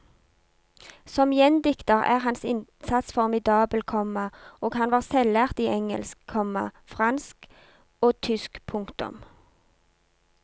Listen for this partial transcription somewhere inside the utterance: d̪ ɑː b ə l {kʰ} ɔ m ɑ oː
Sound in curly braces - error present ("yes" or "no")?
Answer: no